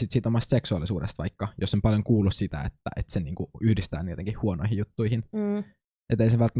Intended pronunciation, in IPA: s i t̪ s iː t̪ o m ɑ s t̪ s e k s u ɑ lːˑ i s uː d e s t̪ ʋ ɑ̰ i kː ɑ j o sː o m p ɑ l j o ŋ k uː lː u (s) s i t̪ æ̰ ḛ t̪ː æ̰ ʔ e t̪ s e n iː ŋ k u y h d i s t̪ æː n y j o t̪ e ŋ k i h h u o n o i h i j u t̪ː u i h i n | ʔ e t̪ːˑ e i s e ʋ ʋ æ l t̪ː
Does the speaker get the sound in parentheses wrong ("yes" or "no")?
no